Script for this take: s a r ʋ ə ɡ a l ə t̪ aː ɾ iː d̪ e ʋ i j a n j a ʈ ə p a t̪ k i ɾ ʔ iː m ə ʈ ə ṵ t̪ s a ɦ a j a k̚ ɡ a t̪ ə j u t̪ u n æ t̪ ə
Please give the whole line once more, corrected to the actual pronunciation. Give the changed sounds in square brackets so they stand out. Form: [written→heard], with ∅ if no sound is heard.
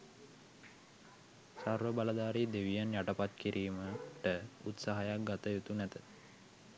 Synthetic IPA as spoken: s a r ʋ ə [ɡ→b] a l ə [t̪→d̪] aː ɾ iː d̪ e ʋ i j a n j a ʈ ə p a t̪ k i ɾ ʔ iː m ə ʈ ə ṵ t̪ s a ɦ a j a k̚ ɡ a t̪ ə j u t̪ u n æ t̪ ə